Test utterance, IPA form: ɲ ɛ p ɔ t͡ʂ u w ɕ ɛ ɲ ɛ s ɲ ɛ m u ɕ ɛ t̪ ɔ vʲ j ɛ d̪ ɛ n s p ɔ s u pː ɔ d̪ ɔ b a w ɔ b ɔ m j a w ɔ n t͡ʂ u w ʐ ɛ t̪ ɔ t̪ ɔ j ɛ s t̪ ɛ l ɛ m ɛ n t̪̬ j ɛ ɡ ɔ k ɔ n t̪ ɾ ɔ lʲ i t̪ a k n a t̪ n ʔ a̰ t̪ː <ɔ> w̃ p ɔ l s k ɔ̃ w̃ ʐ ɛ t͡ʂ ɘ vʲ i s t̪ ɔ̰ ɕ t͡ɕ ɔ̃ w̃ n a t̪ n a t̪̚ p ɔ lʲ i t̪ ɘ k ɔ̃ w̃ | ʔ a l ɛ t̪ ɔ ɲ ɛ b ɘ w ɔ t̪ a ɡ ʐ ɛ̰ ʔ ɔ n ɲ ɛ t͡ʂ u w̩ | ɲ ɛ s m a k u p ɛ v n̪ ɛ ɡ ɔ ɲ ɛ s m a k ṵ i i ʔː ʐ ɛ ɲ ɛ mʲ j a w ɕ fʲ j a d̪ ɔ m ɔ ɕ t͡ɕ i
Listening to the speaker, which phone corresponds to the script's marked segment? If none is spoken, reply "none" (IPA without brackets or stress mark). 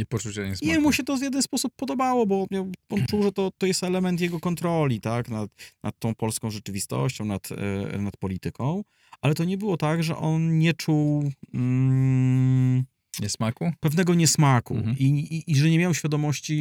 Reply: ɔ̃